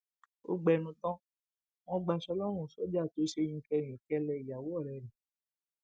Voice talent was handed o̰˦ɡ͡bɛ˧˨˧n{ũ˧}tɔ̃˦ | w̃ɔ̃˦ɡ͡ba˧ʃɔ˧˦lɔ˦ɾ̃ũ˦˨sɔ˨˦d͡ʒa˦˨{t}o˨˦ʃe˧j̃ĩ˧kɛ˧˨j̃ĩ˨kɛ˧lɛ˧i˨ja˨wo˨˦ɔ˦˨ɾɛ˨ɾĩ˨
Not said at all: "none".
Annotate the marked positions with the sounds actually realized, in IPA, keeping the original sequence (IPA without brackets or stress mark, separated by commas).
ũ˧, t